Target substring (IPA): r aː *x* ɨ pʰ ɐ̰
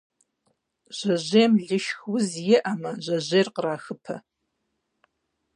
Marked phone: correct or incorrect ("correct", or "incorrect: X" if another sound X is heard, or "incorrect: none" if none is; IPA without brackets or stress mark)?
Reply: correct